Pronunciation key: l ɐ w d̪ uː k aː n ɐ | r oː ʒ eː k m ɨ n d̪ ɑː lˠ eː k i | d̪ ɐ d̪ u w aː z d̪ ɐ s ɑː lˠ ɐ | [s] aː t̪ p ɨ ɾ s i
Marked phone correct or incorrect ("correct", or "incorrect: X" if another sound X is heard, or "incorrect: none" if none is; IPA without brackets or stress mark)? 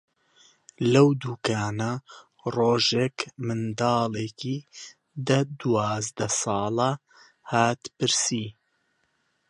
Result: incorrect: h